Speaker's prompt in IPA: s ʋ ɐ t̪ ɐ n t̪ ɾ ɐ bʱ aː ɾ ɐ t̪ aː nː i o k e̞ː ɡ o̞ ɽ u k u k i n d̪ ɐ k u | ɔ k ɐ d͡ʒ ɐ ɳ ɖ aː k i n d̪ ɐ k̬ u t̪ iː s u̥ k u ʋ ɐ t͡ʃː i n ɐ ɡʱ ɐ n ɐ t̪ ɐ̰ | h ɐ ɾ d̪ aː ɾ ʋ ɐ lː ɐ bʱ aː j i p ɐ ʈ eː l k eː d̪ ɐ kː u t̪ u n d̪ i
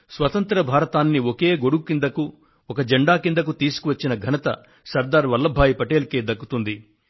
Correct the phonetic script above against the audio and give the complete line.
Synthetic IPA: s ʋ ɐ t̪ ɐ n t̪ ɾ ɐ bʱ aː ɾ ɐ t̪ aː nː i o k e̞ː ɡ o̞ ɽ u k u k i n d̪ ɐ k u | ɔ k ɐ d͡ʒ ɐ ɳ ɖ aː k i n d̪ ɐ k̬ u t̪ iː s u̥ k u ʋ ɐ t͡ʃː i n ɐ ɡʱ ɐ n ɐ t̪ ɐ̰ | s ɐ ɾ d̪ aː ɾ ʋ ɐ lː ɐ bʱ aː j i p ɐ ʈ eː l k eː d̪ ɐ kː u t̪ u n d̪ i